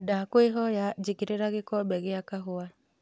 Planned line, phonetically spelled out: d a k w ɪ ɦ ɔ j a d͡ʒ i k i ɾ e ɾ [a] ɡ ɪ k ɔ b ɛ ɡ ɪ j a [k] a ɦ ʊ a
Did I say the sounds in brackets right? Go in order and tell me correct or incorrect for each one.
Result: correct, correct

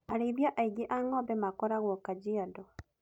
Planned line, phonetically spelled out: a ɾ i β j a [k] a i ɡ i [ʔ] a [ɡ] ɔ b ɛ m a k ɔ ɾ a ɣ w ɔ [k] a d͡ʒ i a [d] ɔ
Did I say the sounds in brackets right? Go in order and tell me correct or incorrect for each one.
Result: incorrect: ʔ, correct, incorrect: ŋ, correct, correct

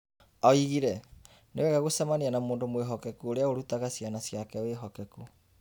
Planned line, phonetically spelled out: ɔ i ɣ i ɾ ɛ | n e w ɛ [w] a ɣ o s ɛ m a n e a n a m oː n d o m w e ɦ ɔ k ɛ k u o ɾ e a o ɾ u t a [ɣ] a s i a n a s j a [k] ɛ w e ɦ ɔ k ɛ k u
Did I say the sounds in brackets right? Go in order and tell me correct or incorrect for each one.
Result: incorrect: ɣ, correct, correct

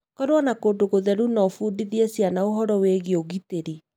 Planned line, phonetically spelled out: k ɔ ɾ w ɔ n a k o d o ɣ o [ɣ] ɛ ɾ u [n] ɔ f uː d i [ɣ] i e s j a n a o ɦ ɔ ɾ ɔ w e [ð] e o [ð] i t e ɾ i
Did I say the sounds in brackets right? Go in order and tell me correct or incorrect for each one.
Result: incorrect: ð, correct, incorrect: ð, incorrect: ɣ, incorrect: ɣ

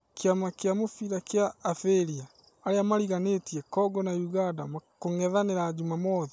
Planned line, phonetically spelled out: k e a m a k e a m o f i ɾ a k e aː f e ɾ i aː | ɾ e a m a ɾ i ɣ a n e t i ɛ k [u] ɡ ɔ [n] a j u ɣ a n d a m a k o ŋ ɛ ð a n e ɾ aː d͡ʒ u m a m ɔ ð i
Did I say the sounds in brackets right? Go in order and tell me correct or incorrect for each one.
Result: incorrect: ɔ, correct

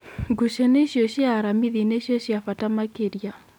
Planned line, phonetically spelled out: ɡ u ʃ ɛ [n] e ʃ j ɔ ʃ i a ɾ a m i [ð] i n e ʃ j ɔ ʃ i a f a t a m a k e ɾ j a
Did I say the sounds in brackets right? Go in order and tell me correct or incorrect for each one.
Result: correct, correct

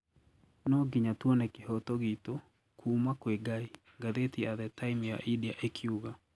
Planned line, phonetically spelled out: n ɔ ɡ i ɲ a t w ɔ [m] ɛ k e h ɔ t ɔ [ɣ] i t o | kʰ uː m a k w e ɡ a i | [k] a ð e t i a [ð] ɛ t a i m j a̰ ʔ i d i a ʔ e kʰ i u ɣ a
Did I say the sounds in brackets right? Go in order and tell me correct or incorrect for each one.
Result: incorrect: n, correct, incorrect: ɡ, correct

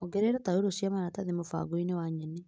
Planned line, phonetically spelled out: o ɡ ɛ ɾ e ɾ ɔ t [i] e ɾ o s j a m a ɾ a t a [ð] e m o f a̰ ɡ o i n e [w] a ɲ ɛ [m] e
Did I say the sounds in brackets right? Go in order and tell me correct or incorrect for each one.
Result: incorrect: a, correct, correct, incorrect: n

